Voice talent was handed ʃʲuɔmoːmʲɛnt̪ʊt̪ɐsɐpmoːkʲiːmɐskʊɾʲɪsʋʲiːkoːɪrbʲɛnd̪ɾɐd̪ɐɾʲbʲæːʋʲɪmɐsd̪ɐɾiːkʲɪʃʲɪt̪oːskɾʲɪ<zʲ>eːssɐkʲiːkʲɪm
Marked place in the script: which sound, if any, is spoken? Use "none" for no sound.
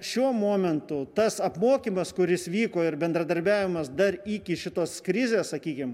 zʲ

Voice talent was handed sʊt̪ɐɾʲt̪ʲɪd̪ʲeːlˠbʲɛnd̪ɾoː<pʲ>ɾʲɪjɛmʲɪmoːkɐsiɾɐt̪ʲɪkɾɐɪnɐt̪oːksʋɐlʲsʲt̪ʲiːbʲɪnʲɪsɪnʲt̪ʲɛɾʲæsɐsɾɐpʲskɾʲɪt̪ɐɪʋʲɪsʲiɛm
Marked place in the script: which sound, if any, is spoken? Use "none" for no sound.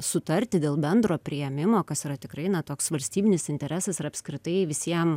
pʲ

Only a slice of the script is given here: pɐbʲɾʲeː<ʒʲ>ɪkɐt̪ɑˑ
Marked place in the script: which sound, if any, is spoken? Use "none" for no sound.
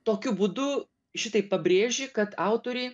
ʒʲ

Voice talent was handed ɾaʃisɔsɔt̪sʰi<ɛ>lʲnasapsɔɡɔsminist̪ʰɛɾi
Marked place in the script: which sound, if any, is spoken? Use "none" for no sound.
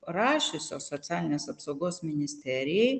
a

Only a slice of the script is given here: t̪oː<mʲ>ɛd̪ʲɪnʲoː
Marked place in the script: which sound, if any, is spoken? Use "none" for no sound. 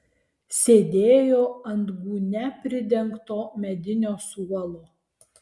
mʲ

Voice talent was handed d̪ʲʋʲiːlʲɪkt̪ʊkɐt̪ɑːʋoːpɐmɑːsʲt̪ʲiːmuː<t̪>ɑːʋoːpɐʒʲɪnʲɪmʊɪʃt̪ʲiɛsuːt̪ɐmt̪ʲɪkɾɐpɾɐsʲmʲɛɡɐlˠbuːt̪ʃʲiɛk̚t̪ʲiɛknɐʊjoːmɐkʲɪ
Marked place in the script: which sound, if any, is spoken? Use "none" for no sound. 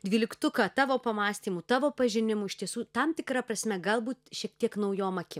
t̪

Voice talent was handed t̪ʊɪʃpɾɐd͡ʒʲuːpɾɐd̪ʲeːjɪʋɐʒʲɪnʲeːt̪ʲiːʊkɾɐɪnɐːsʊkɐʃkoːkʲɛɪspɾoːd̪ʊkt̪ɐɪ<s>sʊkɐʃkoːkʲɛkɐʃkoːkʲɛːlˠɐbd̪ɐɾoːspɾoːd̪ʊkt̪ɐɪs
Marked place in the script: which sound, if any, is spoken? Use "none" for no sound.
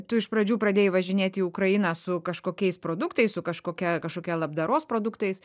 s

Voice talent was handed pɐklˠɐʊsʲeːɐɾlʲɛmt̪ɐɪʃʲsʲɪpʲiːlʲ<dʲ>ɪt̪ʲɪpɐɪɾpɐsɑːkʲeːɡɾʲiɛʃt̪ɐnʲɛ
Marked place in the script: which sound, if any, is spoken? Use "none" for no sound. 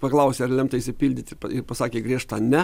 dʲ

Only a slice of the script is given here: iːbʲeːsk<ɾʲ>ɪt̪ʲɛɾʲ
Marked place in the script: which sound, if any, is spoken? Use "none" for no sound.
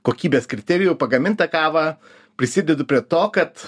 ɾʲ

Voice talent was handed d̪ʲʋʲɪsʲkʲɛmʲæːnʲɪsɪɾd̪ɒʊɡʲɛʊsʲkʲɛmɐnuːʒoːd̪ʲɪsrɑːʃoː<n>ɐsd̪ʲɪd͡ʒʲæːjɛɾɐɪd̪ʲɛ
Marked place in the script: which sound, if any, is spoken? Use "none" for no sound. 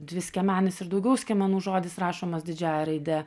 m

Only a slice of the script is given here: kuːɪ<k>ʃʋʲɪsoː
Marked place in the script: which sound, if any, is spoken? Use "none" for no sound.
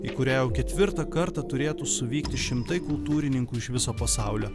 none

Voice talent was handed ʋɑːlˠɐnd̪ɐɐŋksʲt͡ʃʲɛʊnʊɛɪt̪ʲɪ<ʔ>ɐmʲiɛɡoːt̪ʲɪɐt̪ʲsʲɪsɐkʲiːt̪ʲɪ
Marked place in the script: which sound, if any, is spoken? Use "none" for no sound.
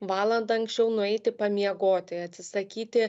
p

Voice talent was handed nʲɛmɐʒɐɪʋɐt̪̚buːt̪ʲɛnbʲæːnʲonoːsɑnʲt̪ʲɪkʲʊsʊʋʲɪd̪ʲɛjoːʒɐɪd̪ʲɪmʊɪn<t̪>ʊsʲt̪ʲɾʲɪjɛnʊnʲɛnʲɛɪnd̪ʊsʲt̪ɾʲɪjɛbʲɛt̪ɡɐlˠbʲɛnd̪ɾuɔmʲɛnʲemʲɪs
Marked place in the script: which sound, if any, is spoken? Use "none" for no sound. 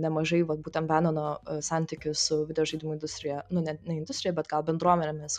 d̪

